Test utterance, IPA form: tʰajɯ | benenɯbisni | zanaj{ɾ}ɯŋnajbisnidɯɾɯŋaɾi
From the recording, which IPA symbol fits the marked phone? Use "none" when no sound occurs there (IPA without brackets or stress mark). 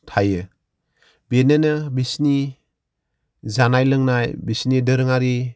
l